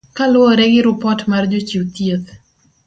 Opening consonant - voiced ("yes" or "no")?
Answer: no